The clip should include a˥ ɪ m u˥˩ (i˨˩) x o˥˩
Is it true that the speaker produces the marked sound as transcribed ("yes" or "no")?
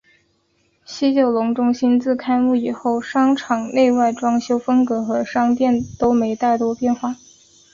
yes